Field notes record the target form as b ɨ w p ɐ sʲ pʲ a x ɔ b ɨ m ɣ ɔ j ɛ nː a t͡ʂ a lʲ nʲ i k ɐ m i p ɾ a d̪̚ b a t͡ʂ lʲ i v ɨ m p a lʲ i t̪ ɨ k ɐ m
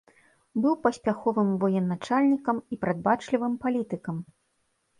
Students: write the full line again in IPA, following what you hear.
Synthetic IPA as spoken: b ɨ w p ɐ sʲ pʲ a x ɔ v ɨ m v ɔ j ɛ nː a t͡ʂ a lʲ nʲ i k ɐ m i p ɾ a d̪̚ b a t͡ʂ lʲ i v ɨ m p a lʲ i t̪ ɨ k ɐ m